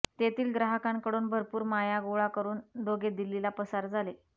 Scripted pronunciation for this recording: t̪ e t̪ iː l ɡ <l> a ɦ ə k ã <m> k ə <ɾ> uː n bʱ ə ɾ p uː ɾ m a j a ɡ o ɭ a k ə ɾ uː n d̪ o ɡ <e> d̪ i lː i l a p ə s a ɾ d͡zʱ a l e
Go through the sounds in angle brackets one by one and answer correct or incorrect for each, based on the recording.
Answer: incorrect, incorrect, incorrect, correct

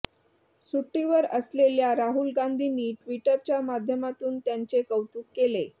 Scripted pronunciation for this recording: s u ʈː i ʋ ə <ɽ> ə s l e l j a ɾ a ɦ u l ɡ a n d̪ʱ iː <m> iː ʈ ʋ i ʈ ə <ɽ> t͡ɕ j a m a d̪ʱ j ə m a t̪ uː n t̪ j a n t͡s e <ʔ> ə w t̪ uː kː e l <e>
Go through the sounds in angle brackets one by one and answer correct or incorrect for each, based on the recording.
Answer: incorrect, incorrect, incorrect, incorrect, correct

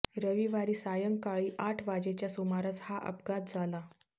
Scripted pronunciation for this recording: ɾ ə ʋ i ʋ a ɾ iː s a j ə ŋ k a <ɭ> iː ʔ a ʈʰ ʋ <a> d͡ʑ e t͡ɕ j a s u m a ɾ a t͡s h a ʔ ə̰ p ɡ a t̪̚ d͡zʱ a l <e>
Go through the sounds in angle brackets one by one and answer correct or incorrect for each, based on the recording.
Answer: correct, correct, incorrect

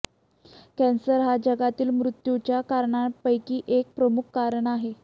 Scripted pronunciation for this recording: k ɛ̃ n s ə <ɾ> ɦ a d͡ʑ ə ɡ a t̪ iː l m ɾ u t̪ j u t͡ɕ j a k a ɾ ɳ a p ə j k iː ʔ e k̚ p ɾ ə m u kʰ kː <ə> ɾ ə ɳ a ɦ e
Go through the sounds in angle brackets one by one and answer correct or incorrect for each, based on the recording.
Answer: correct, incorrect

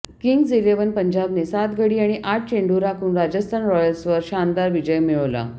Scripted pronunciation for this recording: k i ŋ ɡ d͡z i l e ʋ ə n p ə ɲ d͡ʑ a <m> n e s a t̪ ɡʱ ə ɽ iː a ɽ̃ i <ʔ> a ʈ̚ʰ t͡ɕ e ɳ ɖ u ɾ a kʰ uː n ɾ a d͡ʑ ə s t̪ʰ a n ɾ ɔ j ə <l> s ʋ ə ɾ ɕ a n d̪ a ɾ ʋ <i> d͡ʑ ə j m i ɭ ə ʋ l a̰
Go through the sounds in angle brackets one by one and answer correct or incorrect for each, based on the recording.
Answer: incorrect, correct, correct, correct

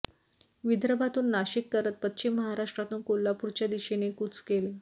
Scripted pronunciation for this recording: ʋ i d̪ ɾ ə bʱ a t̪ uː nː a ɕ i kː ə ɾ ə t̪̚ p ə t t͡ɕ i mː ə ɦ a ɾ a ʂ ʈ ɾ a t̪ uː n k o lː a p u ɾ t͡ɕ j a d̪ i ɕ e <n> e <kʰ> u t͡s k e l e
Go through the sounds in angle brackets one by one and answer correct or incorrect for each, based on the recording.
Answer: correct, incorrect

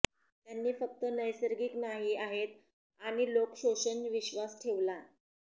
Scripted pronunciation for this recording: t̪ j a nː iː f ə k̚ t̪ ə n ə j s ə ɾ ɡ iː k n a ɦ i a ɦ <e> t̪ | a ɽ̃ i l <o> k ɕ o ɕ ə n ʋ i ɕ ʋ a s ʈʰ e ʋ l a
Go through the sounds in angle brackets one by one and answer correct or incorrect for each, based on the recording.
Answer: correct, correct

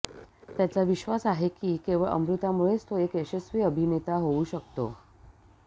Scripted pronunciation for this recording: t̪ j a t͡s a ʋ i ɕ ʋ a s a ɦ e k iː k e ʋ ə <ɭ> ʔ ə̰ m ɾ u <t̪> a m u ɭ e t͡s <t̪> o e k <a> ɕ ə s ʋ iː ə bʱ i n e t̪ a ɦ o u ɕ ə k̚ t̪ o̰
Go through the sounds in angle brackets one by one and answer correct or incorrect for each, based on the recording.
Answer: correct, correct, correct, incorrect

